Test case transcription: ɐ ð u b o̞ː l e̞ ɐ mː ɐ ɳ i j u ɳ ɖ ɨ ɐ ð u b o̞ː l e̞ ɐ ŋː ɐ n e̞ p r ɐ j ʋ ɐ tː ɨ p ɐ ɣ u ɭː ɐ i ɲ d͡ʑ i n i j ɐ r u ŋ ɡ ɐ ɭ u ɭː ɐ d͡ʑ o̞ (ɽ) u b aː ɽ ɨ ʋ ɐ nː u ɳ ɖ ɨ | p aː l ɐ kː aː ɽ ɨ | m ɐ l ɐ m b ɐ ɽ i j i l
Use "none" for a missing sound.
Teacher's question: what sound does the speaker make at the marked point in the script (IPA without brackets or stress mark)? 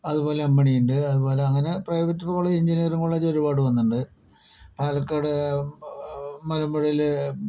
ɾ